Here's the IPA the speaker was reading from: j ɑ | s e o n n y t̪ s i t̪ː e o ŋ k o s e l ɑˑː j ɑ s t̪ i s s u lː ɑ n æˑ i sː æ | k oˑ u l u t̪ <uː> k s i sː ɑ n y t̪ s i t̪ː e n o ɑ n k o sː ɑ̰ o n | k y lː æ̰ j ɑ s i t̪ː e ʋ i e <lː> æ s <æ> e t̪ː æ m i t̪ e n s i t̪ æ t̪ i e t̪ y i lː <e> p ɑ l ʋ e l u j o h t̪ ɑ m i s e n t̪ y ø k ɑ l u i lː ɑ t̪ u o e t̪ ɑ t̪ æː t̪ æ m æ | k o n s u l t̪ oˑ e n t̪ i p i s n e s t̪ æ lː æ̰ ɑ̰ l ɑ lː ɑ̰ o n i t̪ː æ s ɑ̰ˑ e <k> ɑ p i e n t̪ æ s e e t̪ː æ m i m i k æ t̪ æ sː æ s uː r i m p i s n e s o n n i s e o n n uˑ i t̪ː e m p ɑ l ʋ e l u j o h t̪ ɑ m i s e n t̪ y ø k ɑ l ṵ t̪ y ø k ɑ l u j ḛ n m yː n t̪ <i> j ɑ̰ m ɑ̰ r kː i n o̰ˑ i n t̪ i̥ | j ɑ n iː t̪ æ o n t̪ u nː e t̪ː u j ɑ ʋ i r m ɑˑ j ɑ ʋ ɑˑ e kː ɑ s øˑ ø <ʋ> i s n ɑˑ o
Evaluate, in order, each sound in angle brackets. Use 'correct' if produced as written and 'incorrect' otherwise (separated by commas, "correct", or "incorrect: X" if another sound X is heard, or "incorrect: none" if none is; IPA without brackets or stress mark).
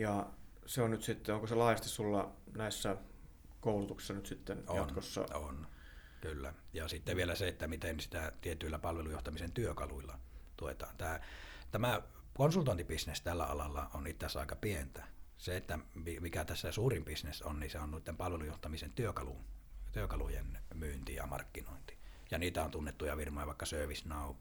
incorrect: u, incorrect: l, incorrect: e, incorrect: æ, correct, correct, correct